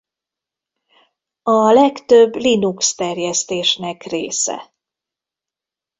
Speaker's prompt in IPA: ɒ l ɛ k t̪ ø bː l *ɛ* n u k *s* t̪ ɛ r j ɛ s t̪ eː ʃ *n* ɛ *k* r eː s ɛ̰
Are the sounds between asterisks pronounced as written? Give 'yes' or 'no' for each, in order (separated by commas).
no, yes, yes, yes